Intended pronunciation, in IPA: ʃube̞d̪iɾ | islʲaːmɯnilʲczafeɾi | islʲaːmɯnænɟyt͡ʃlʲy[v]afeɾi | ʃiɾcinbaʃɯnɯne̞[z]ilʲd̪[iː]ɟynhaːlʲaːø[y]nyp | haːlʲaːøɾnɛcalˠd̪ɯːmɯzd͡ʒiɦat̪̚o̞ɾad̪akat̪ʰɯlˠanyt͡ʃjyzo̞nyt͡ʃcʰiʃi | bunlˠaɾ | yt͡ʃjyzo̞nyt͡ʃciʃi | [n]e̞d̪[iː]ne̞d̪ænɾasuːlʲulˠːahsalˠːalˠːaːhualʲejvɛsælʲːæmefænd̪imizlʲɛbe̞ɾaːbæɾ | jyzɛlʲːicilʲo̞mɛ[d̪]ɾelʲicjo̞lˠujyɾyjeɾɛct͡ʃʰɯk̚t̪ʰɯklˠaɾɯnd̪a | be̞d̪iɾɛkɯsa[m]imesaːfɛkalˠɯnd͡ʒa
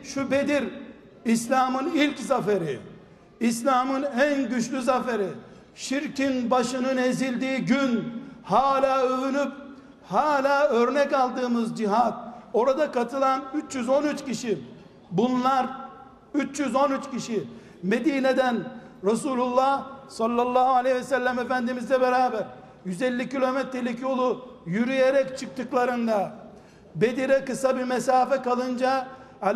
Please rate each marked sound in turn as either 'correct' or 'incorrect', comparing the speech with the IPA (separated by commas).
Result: incorrect, correct, correct, correct, incorrect, correct, incorrect, incorrect